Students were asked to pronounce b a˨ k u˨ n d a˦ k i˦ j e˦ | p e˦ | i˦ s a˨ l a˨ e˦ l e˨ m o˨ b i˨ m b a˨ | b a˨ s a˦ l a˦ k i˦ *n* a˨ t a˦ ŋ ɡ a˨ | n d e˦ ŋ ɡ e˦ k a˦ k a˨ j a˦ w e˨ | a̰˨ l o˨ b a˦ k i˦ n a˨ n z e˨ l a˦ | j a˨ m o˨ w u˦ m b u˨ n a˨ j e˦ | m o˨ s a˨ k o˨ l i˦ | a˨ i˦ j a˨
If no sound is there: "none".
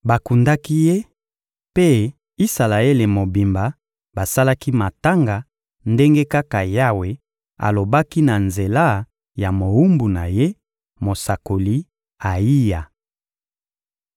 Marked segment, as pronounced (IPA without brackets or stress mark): m